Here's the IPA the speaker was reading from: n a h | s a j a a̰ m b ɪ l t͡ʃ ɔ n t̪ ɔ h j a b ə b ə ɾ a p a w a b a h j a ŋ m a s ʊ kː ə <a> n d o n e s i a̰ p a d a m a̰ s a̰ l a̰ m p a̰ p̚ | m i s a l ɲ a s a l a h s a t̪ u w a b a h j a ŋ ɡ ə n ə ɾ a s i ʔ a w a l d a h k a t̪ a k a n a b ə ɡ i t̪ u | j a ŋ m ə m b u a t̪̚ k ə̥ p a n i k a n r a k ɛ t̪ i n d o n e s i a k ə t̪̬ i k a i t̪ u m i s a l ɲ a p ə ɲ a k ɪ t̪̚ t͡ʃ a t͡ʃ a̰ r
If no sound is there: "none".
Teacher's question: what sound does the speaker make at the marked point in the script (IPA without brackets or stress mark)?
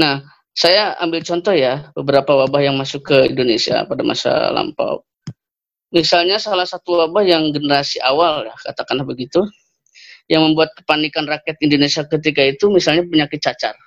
i